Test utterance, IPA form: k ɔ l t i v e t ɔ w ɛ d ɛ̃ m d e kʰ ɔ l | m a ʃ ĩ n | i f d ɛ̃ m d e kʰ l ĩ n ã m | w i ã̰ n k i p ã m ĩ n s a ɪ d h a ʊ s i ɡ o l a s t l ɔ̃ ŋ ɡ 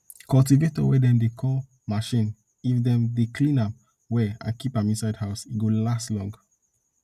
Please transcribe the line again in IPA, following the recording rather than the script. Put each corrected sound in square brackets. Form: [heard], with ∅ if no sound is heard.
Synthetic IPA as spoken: k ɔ l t i v e t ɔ w ɛ d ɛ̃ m d e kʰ ɔ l | m a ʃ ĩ n | i f d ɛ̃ m d e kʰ l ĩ n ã m | w [ɛ] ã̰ n k i p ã m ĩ n s a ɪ d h a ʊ s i ɡ o l a s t l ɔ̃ ŋ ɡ